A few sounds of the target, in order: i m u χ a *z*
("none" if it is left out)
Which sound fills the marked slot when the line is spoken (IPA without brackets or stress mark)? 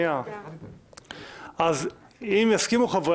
v